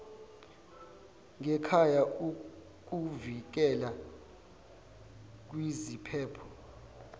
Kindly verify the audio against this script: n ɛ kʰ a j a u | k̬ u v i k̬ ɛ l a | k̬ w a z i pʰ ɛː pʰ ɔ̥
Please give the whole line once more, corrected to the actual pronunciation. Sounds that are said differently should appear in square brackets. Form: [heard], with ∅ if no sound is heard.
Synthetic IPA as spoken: [ŋ] ɛ kʰ a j a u | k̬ u v i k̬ ɛ l a | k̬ w [i] z i pʰ ɛː pʰ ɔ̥